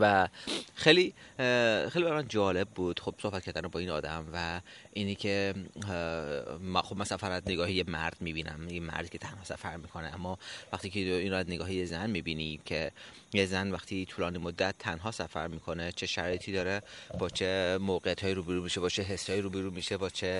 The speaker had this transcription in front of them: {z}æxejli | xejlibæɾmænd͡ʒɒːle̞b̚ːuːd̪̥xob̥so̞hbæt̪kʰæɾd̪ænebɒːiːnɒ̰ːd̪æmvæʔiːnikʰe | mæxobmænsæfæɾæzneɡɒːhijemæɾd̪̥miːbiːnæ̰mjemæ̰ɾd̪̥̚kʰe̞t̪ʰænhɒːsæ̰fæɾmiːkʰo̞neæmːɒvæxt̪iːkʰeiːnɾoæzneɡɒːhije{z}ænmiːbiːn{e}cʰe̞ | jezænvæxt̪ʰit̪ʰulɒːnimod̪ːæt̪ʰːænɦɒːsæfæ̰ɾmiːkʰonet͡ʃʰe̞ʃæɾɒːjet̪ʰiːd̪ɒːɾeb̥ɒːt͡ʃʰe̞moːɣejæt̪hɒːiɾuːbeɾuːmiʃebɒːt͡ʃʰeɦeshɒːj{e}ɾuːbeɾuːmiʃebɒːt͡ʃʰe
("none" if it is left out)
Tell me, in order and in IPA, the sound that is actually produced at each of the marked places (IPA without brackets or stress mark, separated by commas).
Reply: v, z, i, i